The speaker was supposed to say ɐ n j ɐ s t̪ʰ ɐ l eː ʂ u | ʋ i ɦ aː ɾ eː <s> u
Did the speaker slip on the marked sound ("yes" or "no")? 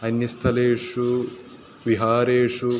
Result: yes